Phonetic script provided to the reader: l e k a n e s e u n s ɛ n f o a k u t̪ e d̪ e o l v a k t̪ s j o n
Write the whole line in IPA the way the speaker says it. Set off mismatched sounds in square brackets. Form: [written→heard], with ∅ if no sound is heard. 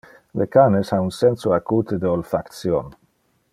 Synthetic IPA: l e k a n e s [e→a] u n s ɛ n [f→s] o a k u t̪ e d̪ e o l [v→f] a k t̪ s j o n